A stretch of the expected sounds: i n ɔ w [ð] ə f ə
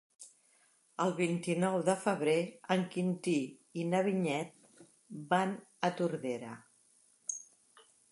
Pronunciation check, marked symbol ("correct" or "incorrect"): correct